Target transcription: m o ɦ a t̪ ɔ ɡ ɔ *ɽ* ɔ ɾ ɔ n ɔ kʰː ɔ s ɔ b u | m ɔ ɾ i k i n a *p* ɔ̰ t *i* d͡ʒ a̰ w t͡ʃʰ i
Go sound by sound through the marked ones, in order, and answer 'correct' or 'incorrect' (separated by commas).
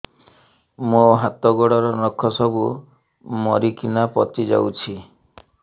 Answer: correct, correct, correct